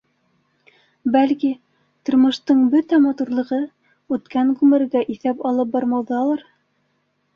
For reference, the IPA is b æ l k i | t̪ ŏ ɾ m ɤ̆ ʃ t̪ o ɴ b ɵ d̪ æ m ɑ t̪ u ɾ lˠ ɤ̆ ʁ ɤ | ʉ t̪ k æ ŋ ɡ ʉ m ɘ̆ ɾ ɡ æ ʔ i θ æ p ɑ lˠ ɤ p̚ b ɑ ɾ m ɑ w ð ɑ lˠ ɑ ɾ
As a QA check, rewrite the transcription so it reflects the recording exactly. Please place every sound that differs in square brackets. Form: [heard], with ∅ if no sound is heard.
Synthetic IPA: b æ l k i | t̪ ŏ ɾ m ɤ̆ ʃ t̪ [ɤ] ɴ b ɵ [t̪] æ m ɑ t̪ u ɾ lˠ ɤ̆ ʁ ɤ | ʉ t̪ k æ ŋ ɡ ʉ m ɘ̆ ɾ ɡ æ ʔ i θ æ p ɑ lˠ ɤ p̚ b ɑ ɾ m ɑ w ð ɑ lˠ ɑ ɾ